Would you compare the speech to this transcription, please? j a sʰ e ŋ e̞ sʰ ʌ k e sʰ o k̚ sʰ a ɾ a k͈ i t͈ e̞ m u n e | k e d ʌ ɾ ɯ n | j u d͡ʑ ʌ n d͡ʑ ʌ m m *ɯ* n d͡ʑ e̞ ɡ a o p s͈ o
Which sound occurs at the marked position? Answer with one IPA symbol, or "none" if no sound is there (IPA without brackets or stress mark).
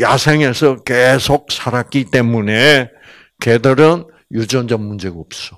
u